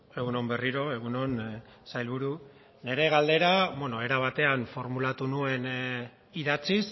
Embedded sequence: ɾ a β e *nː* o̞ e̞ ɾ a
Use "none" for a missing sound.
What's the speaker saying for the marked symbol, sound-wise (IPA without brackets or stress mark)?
n